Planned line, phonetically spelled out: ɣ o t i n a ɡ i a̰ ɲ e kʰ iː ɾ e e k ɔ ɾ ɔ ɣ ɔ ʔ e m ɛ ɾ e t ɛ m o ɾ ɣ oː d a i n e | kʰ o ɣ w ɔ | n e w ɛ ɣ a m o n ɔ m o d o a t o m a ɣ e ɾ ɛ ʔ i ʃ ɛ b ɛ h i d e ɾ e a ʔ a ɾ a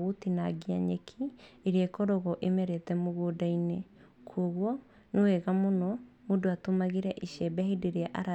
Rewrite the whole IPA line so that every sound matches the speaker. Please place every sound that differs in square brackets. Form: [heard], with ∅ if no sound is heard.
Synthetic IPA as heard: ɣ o t i n a ɡ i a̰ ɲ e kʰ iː ɾ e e k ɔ ɾ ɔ ɣ ɔ ʔ e m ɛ ɾ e t ɛ m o [∅] ɣ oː d a i n e | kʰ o ɣ w ɔ | n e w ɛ ɣ a m o n ɔ m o d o a t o m a ɣ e ɾ ɛ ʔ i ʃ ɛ b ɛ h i d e ɾ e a ʔ a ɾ a